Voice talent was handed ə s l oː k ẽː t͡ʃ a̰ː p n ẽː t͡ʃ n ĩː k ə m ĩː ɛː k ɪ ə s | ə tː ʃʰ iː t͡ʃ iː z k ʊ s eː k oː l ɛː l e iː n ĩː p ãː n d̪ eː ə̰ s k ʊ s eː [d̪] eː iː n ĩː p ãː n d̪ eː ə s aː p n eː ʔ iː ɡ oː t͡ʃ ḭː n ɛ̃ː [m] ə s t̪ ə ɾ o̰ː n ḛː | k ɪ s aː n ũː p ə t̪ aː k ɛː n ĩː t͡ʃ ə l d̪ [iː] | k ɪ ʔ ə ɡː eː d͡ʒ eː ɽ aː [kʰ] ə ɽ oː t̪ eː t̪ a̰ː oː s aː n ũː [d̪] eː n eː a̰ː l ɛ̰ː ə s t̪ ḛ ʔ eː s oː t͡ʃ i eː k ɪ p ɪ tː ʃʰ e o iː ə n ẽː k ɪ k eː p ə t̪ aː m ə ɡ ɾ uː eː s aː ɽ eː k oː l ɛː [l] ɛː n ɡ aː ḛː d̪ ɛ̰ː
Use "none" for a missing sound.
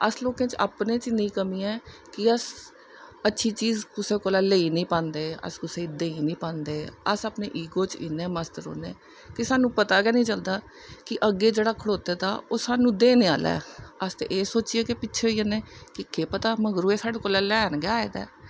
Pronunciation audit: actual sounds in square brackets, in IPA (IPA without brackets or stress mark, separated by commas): d̪, m, aː, kʰ, d̪, l